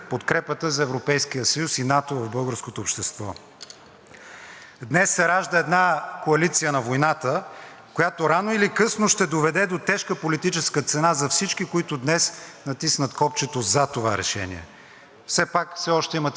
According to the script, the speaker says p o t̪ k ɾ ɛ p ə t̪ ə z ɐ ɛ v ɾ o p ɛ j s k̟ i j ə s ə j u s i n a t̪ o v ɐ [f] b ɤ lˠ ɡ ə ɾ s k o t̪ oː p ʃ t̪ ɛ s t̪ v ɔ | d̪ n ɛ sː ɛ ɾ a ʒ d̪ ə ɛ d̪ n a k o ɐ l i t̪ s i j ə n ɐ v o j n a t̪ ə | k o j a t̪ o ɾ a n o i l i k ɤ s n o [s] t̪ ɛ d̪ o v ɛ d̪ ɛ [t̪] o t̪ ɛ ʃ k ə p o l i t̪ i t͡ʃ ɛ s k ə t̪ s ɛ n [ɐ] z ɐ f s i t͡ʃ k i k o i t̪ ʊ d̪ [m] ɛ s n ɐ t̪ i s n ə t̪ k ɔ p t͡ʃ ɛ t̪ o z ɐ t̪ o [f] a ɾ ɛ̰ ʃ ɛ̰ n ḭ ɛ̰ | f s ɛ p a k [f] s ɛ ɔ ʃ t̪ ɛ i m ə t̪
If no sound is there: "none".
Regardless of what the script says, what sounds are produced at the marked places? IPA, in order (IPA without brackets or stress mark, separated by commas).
v, ʃ, d̪, a, n, v, f